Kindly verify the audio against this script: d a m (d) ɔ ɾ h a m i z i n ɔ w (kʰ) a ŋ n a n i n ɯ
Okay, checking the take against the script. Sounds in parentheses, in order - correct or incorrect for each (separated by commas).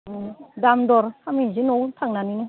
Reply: correct, incorrect